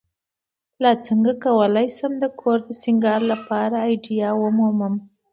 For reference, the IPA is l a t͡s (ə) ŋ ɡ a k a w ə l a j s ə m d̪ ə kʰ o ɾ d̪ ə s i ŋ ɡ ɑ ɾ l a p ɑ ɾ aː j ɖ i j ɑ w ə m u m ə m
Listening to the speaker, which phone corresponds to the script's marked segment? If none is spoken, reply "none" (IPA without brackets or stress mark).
ə